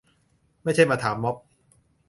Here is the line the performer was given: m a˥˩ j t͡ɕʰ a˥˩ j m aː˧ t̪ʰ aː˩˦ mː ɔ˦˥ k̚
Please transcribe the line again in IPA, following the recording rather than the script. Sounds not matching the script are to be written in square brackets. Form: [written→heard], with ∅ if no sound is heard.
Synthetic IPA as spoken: m a˥˩ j t͡ɕʰ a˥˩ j m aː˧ t̪ʰ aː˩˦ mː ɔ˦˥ [k̚→p̚]